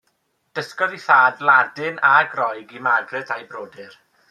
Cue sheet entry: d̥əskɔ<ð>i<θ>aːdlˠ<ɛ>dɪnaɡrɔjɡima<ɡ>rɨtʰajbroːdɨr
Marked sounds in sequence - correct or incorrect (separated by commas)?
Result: correct, correct, incorrect, correct